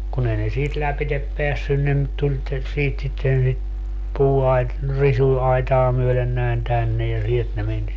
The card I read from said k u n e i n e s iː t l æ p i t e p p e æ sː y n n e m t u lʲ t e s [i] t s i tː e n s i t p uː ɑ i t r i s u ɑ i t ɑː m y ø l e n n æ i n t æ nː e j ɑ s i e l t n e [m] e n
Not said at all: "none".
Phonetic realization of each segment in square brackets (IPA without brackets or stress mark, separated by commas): iː, m